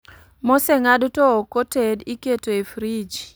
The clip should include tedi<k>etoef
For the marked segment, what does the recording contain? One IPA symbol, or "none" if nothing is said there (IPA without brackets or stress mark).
k